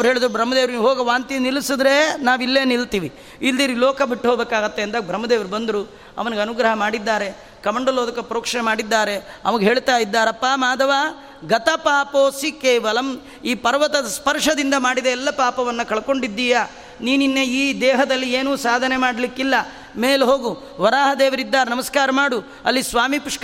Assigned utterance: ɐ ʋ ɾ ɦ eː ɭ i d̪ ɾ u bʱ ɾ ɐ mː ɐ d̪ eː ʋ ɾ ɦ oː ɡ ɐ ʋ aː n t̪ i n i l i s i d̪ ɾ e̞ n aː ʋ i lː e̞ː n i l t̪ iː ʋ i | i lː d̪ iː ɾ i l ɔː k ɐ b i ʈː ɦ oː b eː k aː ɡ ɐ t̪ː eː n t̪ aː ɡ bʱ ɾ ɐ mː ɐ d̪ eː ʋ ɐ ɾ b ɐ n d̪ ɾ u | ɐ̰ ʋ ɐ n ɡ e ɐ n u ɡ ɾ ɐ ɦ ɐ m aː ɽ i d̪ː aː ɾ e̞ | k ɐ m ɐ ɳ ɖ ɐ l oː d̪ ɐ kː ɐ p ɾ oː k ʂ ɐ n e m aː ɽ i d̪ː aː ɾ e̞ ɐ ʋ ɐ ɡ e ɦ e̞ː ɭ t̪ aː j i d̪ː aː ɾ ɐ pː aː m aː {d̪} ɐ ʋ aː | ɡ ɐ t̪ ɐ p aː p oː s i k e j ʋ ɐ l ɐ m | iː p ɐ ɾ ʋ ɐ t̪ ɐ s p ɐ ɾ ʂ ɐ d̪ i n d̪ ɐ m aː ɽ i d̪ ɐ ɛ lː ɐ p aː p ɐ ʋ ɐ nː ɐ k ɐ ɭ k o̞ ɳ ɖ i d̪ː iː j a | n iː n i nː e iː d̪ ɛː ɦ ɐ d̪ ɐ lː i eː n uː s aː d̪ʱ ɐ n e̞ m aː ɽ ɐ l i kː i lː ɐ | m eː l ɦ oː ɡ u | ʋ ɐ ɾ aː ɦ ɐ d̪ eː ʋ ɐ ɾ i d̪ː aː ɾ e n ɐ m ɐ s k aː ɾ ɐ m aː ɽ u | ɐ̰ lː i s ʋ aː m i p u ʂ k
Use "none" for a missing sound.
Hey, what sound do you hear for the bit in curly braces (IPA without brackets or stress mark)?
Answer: d̪